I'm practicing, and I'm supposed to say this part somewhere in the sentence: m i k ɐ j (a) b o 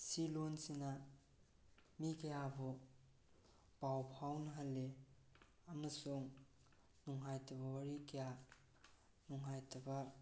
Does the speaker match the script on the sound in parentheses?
yes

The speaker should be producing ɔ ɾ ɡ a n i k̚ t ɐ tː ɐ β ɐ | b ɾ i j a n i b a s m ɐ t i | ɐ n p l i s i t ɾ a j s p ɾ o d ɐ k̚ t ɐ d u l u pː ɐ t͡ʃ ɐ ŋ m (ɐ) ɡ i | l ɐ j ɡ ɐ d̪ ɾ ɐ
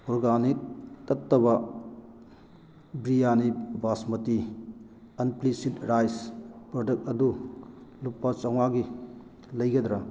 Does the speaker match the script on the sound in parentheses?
no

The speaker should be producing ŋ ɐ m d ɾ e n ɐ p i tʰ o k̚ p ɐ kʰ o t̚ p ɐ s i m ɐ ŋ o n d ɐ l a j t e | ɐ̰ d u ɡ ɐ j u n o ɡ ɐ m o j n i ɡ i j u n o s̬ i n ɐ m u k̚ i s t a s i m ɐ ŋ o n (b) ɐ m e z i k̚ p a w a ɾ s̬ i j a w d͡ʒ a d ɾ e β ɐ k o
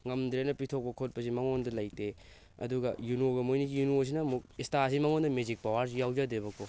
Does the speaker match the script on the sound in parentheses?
no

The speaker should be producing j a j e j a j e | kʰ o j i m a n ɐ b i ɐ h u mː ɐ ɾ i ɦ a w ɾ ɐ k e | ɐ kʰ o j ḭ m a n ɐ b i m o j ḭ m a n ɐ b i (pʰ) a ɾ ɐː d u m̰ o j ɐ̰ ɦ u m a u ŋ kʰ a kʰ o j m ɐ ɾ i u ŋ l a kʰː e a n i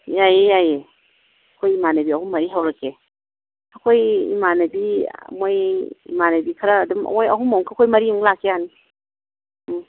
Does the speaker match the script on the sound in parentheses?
no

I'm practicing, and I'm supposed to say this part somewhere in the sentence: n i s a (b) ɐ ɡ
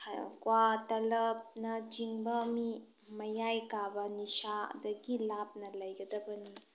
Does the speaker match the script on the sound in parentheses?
no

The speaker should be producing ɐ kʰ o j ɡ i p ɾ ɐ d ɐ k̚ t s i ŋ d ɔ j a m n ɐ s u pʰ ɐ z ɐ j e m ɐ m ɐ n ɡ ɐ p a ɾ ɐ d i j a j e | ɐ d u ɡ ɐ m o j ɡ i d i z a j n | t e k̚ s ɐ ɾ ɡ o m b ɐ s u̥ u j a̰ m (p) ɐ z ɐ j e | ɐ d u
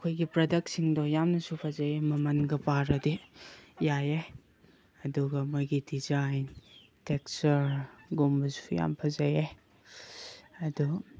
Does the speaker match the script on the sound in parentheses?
no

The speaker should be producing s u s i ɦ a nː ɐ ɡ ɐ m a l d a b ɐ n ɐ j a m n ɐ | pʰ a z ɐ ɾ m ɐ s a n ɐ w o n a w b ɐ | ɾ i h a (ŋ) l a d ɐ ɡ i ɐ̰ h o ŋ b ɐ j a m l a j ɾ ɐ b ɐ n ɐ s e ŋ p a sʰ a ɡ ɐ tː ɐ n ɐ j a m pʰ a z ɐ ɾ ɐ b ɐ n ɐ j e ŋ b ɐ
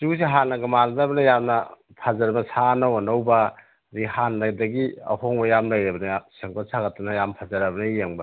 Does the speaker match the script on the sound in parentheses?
no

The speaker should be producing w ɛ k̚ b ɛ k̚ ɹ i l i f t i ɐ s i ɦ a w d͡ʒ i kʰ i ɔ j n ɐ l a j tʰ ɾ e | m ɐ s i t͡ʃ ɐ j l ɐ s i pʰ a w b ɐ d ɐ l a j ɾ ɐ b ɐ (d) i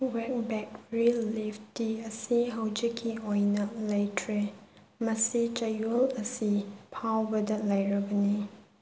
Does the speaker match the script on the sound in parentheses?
no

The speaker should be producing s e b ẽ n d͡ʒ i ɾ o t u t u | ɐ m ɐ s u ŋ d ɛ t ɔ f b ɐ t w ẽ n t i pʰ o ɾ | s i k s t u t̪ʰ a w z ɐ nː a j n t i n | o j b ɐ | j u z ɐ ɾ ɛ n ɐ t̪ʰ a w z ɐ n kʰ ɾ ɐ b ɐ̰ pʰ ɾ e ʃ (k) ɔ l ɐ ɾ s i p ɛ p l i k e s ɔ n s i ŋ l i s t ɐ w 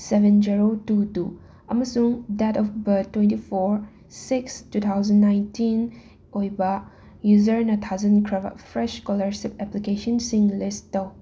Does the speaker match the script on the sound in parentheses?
yes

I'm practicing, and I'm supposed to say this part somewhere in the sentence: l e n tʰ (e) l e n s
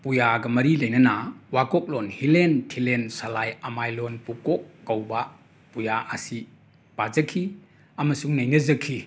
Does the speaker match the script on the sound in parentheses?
no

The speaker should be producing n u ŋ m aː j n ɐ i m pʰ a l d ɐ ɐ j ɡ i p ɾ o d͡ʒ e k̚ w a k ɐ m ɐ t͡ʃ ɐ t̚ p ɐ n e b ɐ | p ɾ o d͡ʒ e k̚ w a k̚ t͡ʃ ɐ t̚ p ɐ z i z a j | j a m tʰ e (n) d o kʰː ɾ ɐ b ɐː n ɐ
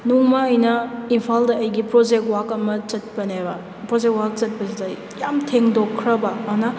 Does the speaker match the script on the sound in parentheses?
no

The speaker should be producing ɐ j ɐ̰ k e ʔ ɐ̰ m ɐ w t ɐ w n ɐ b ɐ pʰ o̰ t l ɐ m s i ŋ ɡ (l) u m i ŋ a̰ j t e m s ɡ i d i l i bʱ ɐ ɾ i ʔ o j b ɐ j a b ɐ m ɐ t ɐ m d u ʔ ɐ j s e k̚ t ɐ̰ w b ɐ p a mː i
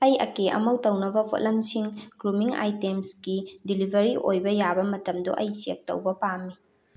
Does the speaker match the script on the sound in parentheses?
no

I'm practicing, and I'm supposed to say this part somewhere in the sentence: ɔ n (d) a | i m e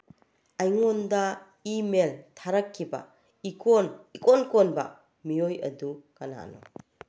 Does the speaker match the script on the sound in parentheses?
yes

